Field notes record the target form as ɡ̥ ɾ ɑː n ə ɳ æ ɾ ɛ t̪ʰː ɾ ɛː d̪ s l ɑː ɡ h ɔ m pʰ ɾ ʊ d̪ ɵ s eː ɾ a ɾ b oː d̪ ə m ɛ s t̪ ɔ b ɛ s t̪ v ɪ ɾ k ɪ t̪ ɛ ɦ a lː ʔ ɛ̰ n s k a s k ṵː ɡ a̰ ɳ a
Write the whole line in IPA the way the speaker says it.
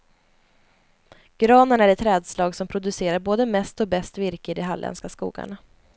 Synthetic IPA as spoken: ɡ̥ ɾ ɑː n ə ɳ æ ɾ ɛ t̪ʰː ɾ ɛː d̪ s l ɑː ɡ s ɔ m pʰ ɾ ʊ d̪ ɵ s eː ɾ a ɾ b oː d̪ ə m ɛ s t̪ ɔ b ɛ s t̪ v ɪ ɾ k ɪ d̪ ɛ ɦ a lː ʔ ɛ̰ n s k a s k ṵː ɡ a̰ ɳ a